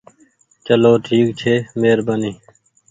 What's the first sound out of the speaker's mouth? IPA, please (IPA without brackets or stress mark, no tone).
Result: t͡ʃ